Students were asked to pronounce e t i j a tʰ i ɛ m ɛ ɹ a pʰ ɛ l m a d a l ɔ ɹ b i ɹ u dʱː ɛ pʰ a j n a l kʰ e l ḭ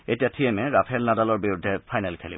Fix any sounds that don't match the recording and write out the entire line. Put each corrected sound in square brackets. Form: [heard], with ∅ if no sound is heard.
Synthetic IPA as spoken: e t i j a tʰ i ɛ m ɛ ɹ a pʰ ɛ l [n] a d a l ɔ ɹ b i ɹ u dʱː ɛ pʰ a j n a l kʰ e l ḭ